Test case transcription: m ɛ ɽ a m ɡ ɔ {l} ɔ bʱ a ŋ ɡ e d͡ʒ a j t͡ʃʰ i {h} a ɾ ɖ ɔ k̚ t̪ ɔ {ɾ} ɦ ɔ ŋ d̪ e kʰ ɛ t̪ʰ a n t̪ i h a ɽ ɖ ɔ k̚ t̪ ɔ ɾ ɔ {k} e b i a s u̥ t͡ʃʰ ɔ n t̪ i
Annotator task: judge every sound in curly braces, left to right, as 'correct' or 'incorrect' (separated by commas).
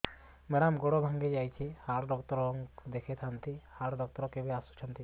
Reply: incorrect, correct, correct, correct